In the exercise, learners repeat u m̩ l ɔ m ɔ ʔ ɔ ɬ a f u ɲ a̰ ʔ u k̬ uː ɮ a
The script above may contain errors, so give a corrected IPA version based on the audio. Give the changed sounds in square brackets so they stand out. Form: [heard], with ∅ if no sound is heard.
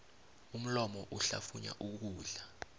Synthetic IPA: u m̩ l ɔ m ɔ ʔ [u] ɬ a f u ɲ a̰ ʔ u k̬ uː ɮ a